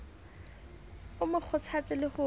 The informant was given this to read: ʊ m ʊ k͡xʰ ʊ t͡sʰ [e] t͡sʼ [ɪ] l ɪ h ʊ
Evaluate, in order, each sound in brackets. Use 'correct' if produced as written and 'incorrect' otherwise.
incorrect, correct

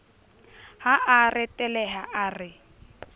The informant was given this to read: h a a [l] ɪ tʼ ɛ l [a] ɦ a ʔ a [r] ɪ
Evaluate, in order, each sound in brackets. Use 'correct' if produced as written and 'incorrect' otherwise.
incorrect, incorrect, correct

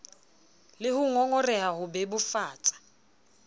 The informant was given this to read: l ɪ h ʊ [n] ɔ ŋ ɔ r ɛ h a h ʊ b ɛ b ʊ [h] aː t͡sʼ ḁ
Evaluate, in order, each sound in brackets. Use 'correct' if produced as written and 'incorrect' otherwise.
incorrect, incorrect

